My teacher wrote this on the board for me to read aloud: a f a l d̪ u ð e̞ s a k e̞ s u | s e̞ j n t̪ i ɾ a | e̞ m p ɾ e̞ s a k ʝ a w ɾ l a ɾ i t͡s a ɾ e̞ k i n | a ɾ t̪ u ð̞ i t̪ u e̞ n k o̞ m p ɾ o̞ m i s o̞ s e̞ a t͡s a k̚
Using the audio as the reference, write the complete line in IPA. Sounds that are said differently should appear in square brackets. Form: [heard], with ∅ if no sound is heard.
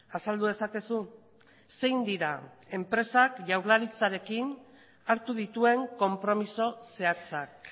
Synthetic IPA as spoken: a [s] a l d̪ u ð e̞ s a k e̞ s u | s e̞ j n [d̪] i ɾ a | e̞ m p ɾ e̞ s a k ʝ a w ɾ l a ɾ i t͡s a ɾ e̞ k i n | a ɾ t̪ u ð̞ i t̪ u e̞ [ŋ] k o̞ m p ɾ o̞ m i s o̞ s e̞ a t͡s a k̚